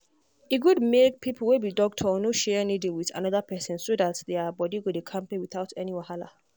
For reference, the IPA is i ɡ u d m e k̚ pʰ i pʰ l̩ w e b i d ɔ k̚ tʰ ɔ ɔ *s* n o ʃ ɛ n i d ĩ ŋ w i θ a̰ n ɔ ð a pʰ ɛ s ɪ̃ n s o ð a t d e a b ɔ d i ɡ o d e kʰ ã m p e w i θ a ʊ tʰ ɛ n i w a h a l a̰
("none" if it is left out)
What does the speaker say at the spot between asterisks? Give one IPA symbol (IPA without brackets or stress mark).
none